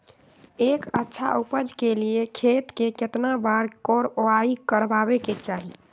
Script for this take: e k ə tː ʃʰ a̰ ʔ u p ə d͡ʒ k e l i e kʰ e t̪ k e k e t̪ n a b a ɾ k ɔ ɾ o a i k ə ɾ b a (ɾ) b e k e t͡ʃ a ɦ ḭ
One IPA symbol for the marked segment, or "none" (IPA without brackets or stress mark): none